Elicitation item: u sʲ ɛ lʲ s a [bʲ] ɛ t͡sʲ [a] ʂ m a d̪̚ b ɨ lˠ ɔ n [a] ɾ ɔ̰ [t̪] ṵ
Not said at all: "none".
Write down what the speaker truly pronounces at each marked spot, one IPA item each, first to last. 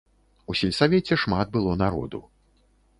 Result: vʲ, ɛ, a, d̪

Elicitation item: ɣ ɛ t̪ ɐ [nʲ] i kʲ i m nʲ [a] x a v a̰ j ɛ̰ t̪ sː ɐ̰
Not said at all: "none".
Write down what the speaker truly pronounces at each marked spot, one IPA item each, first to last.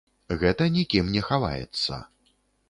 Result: nʲ, ɛ

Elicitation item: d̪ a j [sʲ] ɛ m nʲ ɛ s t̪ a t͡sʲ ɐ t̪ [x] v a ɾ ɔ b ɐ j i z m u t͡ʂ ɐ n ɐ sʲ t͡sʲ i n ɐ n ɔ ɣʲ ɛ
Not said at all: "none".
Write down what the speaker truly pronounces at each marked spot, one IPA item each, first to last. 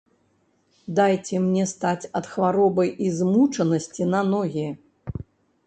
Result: t͡sʲ, x

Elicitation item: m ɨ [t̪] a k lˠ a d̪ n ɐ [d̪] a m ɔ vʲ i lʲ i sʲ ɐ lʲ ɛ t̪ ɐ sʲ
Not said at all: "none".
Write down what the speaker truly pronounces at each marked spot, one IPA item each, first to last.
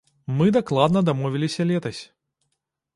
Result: d̪, d̪

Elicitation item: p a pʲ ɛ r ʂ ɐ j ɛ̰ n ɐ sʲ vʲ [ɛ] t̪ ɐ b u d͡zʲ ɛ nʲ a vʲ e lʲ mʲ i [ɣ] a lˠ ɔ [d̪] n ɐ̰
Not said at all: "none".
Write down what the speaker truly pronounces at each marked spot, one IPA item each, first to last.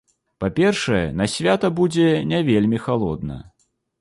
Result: a, x, d̪

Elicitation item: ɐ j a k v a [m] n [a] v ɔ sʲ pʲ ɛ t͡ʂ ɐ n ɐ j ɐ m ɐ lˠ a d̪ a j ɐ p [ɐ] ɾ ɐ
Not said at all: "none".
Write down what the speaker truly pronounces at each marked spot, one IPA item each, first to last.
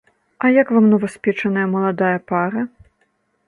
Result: m, ɐ, a

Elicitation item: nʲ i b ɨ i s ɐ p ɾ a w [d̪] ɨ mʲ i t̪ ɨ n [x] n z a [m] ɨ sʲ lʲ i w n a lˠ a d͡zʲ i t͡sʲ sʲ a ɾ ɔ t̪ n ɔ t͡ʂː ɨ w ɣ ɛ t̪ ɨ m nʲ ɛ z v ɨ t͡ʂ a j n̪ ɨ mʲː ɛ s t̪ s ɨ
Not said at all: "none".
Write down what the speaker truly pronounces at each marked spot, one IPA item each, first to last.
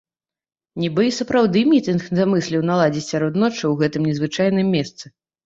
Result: d̪, x, m

